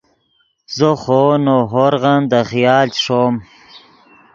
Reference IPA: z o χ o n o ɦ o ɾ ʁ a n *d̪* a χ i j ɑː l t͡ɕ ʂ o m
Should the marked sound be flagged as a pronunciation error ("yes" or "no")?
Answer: no